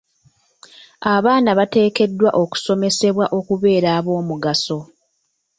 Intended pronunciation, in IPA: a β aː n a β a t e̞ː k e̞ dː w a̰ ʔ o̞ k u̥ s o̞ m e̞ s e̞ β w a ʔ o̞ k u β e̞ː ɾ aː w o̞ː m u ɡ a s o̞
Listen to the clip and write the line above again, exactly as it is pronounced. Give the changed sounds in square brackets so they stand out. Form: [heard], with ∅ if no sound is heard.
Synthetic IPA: a β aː n a β a t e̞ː k e̞ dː w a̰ ʔ o̞ k u̥ s o̞ m e̞ s e̞ β w a ʔ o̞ k u β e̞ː ɾ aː [β] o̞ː m u ɡ a s o̞

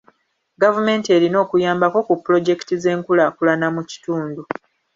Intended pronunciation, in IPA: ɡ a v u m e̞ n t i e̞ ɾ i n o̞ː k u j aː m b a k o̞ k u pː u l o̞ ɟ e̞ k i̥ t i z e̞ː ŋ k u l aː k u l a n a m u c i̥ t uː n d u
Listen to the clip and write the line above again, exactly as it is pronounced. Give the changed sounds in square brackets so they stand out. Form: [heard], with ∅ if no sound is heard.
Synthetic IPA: ɡ a v u m e̞ n t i e̞ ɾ i n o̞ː k u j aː m b a k o̞ k u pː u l o̞ ɟ e̞ k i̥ t i z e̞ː ŋ k u l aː k u l a n a m u c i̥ t uː n d u

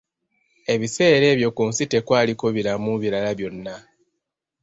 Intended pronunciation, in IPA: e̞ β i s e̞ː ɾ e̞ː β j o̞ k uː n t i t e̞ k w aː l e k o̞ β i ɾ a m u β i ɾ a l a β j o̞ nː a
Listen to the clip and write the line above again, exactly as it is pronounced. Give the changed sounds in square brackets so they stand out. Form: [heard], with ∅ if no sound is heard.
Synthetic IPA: e̞ β i s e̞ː ɾ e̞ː β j o̞ k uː n [s] i t e̞ k w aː l [i] k o̞ β i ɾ a m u β i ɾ a l a β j o̞ nː a

